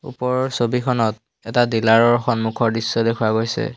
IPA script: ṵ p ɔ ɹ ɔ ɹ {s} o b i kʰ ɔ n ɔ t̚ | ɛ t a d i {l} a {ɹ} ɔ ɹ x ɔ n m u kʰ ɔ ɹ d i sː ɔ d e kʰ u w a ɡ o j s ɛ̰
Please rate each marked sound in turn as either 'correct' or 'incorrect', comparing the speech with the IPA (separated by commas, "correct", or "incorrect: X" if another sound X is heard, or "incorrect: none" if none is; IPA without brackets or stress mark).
correct, correct, correct